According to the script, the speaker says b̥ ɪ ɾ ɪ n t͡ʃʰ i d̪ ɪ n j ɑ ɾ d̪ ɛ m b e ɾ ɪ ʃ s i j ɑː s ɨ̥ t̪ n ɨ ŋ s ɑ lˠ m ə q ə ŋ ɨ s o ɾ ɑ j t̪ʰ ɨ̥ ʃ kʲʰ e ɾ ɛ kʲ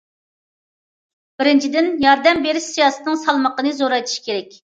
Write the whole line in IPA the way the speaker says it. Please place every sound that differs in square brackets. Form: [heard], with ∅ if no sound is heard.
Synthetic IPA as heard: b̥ ɪ ɾ ɪ n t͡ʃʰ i d̪ ɪ n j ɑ ɾ d̪ ɛ m b e ɾ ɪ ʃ s i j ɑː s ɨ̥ t̪ n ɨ ŋ s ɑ lˠ m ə q ə [n] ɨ [z] o ɾ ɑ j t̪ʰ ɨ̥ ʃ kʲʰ e ɾ ɛ kʲ